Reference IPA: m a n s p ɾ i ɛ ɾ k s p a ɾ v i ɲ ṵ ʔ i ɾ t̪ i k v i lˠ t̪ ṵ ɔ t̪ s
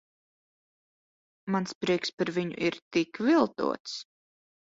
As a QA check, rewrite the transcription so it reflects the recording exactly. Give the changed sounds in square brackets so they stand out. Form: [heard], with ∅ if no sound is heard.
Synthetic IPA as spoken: m a n s p ɾ i ɛ [∅] k s p a ɾ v i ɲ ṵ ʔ i ɾ t̪ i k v i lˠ t̪ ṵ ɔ t̪ s